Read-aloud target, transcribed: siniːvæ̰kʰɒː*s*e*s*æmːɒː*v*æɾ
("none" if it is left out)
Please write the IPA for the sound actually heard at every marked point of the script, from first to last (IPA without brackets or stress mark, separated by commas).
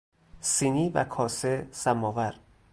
s, s, v